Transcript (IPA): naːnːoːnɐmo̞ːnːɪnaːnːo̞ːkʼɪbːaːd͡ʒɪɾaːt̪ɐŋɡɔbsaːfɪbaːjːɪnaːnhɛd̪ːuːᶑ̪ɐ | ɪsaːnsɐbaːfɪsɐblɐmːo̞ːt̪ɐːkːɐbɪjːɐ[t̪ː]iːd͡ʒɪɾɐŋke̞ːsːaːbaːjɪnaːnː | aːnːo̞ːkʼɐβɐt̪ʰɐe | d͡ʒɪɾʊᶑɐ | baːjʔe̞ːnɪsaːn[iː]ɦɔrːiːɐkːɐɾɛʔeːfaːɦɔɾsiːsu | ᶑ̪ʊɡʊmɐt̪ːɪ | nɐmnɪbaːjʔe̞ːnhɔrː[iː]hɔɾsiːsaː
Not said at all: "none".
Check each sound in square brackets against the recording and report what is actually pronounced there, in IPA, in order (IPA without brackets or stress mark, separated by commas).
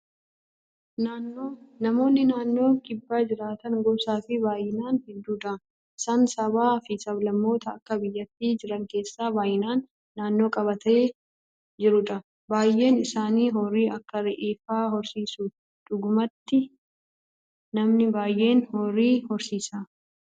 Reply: t̪ː, iː, iː